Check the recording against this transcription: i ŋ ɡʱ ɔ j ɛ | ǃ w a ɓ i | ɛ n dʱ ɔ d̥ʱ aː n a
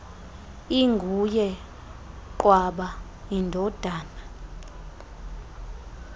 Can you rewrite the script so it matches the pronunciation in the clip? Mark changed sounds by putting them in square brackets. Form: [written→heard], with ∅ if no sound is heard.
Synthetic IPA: i ŋ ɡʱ [ɔ→u] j ɛ | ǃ w a ɓ [i→a] | [ɛ→i] n dʱ ɔ d̥ʱ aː n a